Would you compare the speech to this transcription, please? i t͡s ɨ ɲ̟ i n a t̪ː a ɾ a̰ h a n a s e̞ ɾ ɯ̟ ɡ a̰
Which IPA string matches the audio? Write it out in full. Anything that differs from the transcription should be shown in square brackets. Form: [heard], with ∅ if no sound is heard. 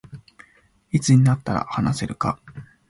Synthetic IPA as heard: i t͡s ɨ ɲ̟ i n a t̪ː a ɾ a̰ h a n a s e̞ ɾ ɯ̟ [k] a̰